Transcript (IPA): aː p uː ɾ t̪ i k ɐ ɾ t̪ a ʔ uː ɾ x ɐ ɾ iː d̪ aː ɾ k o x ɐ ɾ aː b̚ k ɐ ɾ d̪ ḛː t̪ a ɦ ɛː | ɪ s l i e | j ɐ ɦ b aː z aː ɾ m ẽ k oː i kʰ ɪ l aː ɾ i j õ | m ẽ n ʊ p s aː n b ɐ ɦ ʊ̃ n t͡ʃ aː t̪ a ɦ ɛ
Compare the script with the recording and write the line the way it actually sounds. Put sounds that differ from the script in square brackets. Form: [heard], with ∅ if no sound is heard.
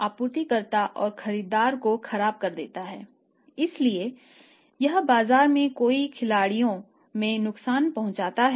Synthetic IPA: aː p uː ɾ t̪ i k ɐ ɾ t̪ a ʔ [ɔː] ɾ x ɐ ɾ iː d̪ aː ɾ k o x ɐ ɾ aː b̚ k ɐ ɾ d̪ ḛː t̪ a ɦ ɛː | ɪ s l i e | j ɐ ɦ b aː z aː ɾ m ẽ k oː i kʰ ɪ l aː [ɽ] i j õ | m ẽ n ʊ [k] s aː n [p] ɐ ɦ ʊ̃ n t͡ʃ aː t̪ a ɦ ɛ